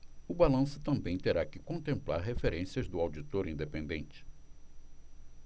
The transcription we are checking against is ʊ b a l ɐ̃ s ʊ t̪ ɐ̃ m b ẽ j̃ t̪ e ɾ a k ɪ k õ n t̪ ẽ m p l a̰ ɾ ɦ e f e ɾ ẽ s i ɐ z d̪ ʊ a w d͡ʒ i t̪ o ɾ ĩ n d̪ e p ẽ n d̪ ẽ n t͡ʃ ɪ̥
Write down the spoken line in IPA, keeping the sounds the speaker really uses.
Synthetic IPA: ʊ b a l ɐ̃ s ʊ t̪ ɐ̃ m b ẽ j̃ t̪ e ɾ a k ɪ k õ n t̪ ẽ m p l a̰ ɾ ɦ e f e ɾ ẽ s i ɐ z d̪ ʊ a w d͡ʒ i t̪ o ɾ ĩ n d̪ e p ẽ n d̪ ẽ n t͡ʃ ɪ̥